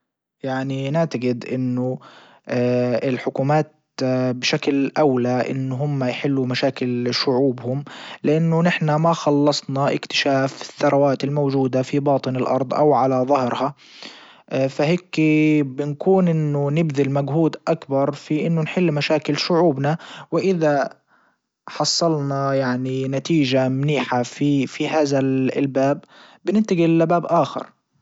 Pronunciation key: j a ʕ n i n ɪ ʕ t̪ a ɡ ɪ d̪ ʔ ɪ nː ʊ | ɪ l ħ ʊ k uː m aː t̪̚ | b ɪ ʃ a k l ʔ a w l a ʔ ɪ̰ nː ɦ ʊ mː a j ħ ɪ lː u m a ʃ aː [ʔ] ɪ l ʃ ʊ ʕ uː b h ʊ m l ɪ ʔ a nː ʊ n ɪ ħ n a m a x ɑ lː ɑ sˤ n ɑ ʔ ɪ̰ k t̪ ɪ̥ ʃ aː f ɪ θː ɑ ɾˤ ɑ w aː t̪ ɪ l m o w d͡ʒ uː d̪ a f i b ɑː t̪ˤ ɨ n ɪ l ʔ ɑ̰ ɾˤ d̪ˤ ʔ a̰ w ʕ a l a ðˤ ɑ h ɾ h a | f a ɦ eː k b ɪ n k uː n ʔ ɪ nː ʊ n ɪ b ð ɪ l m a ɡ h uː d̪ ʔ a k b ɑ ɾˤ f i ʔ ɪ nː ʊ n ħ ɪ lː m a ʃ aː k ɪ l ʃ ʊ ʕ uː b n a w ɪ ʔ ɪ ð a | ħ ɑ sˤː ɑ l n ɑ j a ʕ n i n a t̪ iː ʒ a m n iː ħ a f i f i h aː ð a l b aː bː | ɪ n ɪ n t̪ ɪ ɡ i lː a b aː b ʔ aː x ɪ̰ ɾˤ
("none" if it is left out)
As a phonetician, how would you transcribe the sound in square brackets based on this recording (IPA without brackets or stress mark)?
k